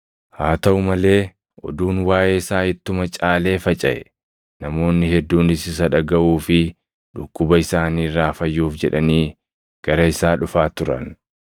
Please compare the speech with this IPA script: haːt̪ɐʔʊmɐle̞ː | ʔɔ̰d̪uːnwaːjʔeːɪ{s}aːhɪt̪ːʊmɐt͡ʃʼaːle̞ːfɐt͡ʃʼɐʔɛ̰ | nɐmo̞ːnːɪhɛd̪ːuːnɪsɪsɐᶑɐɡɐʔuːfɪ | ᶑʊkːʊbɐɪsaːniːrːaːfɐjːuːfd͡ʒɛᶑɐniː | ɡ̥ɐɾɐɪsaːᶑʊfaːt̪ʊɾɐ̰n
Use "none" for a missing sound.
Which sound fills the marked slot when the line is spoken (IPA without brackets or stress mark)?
s